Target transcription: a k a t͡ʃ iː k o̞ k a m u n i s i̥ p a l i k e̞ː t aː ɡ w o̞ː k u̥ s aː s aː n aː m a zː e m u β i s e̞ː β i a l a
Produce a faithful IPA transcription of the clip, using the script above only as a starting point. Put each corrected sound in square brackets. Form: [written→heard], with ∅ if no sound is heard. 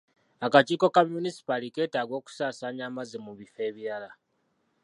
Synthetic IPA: a k a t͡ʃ iː k o̞ k a m u n i s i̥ p a l i k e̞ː t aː ɡ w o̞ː k u̥ s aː s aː [n→ɲ] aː m a [zː→z] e m u β i [s→f] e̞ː β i a l a